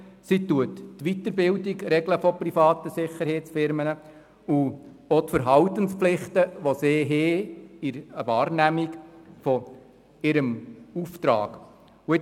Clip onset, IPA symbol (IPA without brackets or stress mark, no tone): s